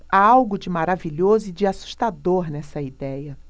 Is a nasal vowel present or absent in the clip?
absent